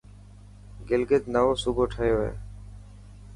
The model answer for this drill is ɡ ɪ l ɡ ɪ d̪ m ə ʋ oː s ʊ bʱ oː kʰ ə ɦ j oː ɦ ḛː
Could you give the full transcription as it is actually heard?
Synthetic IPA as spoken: ɡ ɪ l ɡ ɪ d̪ n ə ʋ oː s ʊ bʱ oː ʈʰ ə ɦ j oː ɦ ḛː